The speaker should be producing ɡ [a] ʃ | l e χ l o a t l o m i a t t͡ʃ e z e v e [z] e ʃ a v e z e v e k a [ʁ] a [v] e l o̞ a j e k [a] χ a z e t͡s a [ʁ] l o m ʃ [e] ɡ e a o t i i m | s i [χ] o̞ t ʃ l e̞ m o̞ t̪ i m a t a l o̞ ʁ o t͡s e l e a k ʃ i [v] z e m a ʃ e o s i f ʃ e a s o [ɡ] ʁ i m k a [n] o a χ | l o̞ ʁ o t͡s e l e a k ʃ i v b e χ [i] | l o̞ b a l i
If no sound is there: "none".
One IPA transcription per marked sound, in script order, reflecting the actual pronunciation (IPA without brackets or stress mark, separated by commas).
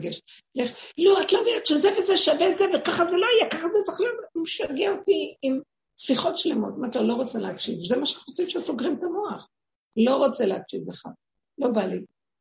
e, z, χ, z, a, χ, a, χ, v, ɡ, m, a